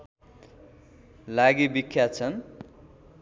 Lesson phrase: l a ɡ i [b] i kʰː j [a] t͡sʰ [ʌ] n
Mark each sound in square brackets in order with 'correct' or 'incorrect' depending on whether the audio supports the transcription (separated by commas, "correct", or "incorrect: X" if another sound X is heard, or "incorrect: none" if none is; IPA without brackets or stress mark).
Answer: correct, correct, correct